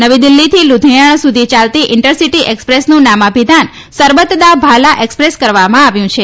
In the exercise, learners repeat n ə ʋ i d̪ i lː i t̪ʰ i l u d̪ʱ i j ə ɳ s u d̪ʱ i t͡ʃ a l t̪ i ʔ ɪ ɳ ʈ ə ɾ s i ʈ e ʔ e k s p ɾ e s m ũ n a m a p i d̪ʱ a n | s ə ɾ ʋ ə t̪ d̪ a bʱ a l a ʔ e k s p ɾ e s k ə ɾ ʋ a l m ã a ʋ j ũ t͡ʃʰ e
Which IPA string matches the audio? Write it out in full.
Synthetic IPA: n ə ʋ i d̪ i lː i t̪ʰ i l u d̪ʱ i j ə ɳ s u d̪ʱ i t͡ʃ a l t̪ i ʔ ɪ ɳ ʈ ə ɾ s i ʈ i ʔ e k s p ɾ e s n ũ n a m a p i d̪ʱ a n | s ə ɾ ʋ ə t̪ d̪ a bʱ a l a ʔ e k s p ɾ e s k ə ɾ ʋ a m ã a ʋ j ũ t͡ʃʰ e